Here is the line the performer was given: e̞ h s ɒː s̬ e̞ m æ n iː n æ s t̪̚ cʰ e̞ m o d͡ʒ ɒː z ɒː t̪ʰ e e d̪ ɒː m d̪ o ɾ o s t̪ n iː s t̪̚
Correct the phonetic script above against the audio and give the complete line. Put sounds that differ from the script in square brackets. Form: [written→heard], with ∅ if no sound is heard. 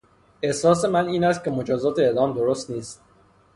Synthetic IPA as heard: e̞ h s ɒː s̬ e̞ m æ n iː n æ s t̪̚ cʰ e̞ m o d͡ʒ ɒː z ɒː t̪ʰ e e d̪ ɒː m d̪ o ɾ o s t̪ n iː s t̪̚